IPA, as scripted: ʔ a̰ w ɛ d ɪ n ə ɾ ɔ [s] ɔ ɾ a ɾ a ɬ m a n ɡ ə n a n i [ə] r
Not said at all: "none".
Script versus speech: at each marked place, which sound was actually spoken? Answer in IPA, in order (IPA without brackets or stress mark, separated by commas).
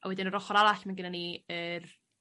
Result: χ, ə